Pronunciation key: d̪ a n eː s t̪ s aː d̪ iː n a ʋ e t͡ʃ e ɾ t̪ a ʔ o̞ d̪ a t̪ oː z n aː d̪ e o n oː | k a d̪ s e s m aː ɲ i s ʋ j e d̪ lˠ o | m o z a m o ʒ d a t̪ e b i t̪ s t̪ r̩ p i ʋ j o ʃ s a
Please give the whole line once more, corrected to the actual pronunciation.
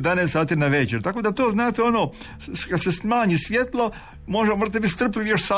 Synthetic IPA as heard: d̪ a n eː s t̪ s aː t̪ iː n a ʋ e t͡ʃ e ɾ t̪ a k o̞ d̪ a t̪ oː z n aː t̪ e o n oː | k a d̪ s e s m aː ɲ i s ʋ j e t̪ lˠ o | m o ʒ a m o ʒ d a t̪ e b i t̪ s t̪ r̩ p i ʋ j o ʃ s a